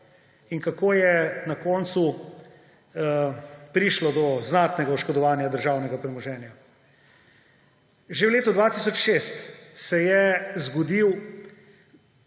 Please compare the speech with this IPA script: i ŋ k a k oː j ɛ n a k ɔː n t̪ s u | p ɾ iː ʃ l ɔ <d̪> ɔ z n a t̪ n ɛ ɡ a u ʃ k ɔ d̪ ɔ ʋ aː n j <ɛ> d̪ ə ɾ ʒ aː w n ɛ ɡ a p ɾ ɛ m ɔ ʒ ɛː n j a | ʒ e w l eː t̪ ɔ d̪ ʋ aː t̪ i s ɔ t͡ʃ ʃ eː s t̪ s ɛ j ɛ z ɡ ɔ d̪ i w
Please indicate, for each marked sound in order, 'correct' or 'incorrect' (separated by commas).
correct, incorrect